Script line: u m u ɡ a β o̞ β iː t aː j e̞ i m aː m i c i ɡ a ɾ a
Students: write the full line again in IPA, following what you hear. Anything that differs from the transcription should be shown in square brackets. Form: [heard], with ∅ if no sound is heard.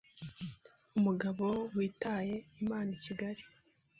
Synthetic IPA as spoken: u m u ɡ a β o̞ [w] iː t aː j e̞ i m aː [n] i c i ɡ a ɾ [i]